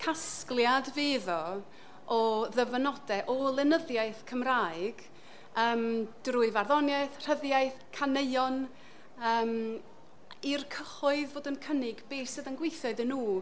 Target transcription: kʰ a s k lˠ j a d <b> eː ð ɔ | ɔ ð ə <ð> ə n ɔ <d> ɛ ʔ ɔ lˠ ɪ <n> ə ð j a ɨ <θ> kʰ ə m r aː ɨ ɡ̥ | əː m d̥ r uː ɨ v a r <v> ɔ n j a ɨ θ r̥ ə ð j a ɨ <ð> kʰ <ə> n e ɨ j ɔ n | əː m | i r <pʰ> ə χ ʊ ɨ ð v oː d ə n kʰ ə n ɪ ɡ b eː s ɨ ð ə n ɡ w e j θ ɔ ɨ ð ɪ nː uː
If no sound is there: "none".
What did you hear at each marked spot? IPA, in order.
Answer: v, v, d, n, θ, ð, θ, a, kʰ

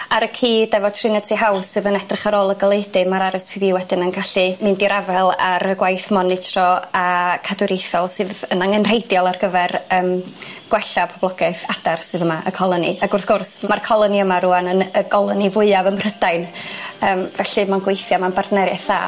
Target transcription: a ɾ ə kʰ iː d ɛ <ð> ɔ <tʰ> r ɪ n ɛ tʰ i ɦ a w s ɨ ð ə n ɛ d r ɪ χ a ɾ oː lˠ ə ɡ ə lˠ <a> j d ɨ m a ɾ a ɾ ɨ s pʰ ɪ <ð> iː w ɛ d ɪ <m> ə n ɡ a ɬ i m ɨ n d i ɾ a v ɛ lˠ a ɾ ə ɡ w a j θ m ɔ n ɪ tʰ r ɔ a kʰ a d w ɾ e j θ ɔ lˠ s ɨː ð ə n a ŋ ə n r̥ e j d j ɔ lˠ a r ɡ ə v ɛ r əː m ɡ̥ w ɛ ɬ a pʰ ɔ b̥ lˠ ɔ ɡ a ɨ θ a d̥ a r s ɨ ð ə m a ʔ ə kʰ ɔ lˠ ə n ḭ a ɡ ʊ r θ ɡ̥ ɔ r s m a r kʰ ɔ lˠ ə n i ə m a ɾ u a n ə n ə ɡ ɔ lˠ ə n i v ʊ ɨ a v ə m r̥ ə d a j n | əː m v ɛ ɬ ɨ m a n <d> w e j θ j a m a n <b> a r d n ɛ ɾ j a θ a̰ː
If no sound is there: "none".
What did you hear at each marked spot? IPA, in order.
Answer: v, tʰ, e, v, n, ɡ, b

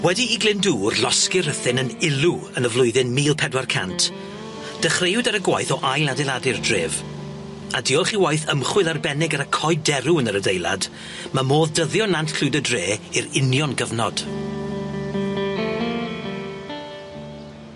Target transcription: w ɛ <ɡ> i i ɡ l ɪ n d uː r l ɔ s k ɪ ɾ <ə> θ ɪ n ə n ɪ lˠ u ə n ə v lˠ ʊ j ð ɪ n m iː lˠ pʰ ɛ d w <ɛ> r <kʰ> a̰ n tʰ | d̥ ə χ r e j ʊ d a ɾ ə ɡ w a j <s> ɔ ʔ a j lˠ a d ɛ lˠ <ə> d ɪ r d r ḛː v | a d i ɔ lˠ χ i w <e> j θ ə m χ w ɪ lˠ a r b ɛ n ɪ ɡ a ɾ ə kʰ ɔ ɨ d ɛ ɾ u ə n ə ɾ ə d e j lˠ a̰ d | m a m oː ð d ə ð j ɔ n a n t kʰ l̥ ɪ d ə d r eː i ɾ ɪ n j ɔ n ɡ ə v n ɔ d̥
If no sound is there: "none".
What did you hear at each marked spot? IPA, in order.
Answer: d, ə, a, kʰ, θ, a, a

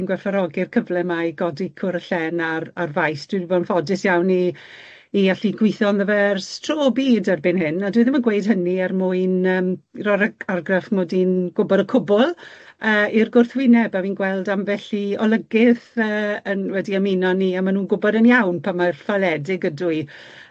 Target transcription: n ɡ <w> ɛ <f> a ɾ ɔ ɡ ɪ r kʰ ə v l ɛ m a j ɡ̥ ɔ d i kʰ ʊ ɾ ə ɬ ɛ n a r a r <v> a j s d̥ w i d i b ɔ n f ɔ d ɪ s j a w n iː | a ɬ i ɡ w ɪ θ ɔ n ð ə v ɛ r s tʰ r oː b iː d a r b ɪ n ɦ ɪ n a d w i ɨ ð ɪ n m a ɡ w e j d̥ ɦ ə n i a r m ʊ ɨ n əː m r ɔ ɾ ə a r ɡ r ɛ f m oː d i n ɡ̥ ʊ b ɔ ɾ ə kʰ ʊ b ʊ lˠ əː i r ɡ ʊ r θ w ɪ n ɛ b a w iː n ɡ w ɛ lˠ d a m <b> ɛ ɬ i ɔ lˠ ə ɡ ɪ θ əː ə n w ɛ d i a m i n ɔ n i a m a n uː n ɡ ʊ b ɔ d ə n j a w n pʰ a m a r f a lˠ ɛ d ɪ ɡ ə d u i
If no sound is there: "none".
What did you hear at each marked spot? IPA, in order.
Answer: w, f, v, v

